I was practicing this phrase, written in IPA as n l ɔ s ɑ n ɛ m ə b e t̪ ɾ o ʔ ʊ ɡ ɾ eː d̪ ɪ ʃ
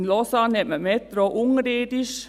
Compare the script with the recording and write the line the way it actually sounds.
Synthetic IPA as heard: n l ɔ s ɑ n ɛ m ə m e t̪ ɾ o ʔ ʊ ŋ ɾ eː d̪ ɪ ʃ